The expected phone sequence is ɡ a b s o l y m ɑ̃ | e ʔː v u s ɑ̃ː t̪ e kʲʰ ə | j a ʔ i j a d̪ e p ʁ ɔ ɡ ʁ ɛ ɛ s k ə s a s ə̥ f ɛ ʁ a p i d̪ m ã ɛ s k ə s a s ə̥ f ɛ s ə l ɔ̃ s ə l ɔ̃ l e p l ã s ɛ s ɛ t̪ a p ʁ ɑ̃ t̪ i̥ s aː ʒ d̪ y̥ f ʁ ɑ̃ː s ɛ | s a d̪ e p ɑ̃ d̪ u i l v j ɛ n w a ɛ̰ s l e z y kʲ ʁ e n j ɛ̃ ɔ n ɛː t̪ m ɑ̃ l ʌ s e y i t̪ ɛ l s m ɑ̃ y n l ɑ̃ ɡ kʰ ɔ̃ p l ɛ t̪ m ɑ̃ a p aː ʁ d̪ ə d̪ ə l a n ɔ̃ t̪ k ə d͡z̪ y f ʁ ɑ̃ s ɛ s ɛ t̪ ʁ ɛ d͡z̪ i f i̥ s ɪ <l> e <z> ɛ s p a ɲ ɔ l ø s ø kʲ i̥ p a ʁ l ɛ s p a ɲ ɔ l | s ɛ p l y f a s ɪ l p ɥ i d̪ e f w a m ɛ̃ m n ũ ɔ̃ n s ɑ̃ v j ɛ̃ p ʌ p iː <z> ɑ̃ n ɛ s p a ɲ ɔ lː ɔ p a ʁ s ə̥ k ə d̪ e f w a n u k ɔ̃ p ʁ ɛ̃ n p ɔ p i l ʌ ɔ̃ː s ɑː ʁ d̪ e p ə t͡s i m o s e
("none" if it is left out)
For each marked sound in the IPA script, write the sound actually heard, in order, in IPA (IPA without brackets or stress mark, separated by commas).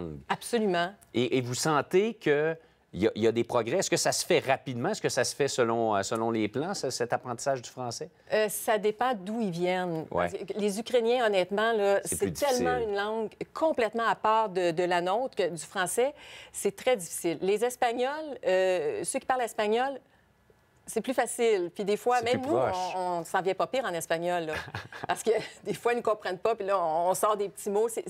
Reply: lː, z, ʁ